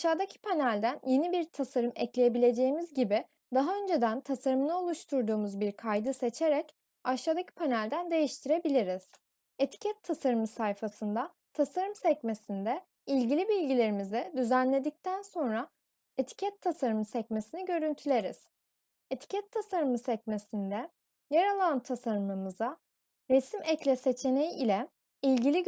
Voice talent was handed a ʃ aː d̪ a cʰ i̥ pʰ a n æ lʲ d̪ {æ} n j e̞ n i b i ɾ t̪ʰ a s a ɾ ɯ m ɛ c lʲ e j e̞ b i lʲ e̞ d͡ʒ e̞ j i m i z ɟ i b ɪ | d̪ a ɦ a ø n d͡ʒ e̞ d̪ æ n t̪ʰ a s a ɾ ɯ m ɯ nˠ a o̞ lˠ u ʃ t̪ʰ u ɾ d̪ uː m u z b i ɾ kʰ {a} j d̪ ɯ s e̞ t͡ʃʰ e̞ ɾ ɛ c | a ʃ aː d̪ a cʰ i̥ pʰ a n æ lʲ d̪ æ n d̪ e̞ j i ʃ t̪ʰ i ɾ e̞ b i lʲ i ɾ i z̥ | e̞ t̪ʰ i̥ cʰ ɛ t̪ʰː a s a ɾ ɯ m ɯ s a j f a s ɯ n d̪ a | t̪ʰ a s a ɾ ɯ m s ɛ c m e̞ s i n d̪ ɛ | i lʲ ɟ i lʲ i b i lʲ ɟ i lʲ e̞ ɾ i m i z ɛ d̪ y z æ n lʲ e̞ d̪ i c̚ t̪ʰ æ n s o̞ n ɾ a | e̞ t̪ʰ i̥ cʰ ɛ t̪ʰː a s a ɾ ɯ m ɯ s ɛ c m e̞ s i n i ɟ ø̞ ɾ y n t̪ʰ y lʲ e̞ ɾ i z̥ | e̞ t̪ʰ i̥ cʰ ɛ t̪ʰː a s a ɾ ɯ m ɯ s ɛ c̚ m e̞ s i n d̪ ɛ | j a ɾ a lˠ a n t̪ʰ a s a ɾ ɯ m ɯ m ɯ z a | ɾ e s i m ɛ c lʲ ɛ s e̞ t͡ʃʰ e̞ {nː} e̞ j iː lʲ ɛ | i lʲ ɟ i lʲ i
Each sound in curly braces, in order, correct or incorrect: correct, correct, incorrect

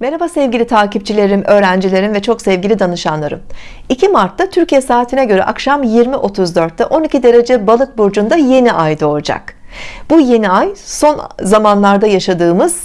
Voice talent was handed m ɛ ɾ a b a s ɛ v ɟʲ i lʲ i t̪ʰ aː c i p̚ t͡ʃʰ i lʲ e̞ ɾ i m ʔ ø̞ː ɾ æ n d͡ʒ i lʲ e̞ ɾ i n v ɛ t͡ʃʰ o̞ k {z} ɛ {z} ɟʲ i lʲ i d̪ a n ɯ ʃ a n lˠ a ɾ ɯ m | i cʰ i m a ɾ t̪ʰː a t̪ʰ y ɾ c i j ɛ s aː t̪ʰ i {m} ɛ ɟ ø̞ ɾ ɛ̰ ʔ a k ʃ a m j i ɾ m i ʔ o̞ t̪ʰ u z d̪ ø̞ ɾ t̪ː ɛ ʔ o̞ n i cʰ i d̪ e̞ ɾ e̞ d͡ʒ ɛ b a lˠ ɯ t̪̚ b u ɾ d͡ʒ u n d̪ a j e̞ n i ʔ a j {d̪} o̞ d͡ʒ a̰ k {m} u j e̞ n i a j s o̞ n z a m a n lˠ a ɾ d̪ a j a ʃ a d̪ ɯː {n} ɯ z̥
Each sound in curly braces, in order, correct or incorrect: incorrect, incorrect, incorrect, correct, incorrect, incorrect

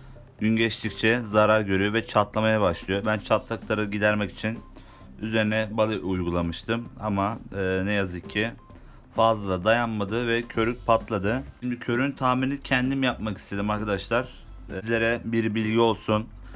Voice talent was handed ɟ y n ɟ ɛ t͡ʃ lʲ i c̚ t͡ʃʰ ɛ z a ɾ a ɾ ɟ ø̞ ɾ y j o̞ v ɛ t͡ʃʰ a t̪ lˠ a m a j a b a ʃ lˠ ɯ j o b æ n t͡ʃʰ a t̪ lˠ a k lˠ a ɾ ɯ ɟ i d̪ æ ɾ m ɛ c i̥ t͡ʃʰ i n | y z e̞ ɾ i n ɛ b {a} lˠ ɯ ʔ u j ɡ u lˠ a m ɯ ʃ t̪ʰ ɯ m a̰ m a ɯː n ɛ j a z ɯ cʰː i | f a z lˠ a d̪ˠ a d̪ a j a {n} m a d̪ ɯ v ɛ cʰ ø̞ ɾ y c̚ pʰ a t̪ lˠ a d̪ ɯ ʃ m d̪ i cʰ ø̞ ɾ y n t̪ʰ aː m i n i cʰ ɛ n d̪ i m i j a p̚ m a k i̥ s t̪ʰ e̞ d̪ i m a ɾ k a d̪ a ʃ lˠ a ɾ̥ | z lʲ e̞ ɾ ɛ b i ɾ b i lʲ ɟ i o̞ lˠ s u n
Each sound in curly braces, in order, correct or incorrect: correct, correct

